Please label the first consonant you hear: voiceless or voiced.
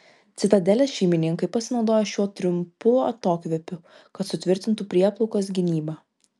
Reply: voiceless